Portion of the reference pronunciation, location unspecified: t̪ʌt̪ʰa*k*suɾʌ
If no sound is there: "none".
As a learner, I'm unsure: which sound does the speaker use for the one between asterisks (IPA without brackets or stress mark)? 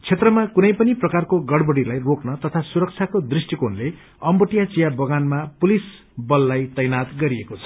none